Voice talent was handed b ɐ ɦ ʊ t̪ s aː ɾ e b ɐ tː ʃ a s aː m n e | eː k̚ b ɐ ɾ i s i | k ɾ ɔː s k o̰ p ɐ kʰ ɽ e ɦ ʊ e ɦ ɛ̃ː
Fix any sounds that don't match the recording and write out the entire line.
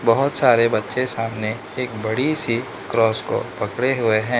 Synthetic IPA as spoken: b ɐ ɦ ʊ t̪ s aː ɾ e b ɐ tː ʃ e s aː m n e | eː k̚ b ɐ ɽ i s i | k ɾ ɔː s k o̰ p ɐ k ɽ e ɦ ʊ e ɦ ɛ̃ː

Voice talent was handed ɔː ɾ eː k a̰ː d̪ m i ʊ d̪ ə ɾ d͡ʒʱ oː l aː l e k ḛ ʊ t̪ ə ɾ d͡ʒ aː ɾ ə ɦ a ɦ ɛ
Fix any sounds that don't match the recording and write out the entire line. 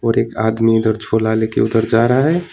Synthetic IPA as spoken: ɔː ɾ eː k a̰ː d̪ m i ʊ d̪ ə ɾ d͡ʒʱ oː l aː l e k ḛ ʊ d̪ ə ɾ d͡ʒ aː ɾ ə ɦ a ɦ ɛ

